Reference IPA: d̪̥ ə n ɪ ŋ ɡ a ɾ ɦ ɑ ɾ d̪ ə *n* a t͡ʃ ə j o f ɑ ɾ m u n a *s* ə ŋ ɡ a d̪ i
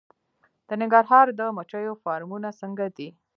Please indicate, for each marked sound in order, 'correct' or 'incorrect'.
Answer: incorrect: m, correct

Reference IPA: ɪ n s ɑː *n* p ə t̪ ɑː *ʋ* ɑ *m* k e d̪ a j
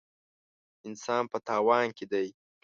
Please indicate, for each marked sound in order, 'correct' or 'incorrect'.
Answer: correct, incorrect: w, incorrect: n

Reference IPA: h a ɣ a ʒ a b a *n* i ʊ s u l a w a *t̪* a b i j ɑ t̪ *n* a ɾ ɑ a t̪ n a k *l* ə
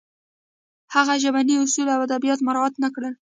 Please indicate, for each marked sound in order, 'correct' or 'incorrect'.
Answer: correct, incorrect: d̪, incorrect: m, incorrect: ɽ

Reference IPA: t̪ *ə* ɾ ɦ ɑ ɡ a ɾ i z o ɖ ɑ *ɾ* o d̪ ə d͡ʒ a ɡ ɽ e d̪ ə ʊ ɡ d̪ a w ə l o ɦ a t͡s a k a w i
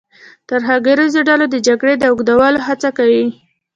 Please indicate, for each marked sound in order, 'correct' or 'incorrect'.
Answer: incorrect: a, incorrect: l

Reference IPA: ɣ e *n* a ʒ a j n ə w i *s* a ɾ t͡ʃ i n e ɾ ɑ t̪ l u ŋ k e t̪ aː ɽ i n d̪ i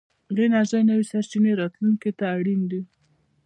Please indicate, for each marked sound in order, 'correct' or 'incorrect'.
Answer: correct, correct

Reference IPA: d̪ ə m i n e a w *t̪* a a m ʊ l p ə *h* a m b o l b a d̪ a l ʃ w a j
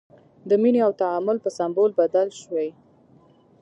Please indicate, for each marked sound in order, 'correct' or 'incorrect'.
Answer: correct, incorrect: s

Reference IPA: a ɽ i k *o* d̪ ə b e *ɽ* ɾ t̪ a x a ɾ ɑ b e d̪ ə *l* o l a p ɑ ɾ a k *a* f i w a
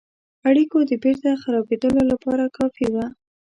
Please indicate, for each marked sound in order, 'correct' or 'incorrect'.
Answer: correct, incorrect: none, correct, incorrect: ɑ

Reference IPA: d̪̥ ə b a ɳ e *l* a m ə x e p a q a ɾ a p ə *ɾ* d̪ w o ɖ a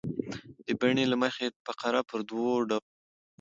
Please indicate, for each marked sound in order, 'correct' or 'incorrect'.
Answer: correct, correct

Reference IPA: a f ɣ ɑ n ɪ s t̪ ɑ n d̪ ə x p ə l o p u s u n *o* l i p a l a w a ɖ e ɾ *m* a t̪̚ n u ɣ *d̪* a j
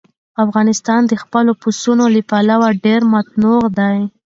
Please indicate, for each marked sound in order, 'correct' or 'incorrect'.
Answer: correct, correct, correct

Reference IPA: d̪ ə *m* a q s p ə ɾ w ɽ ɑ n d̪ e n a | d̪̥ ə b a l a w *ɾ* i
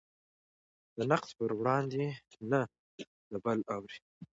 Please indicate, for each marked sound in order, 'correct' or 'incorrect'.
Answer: incorrect: n, correct

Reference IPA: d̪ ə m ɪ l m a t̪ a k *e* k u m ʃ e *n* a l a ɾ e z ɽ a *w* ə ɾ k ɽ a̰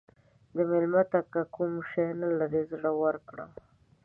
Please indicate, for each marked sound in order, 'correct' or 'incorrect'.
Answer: incorrect: a, correct, correct

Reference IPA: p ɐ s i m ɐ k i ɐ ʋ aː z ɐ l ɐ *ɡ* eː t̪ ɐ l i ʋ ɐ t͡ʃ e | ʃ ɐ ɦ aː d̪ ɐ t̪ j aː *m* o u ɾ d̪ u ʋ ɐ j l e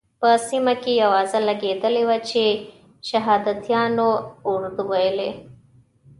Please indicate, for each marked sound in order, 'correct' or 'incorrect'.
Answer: correct, incorrect: n

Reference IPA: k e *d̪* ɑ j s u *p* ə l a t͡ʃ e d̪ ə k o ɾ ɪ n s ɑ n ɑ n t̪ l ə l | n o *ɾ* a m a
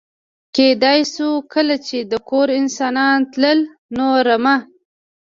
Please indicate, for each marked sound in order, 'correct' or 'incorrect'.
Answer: correct, incorrect: k, correct

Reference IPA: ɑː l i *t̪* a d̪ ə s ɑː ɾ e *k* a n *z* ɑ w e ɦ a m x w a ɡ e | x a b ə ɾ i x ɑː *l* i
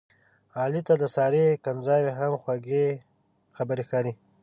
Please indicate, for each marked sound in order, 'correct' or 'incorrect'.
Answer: correct, correct, correct, incorrect: ɾ

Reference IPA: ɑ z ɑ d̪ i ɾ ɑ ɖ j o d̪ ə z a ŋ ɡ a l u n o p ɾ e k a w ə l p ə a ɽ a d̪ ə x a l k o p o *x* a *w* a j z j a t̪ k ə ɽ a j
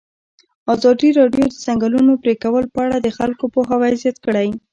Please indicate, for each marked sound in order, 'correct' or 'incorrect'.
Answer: correct, correct

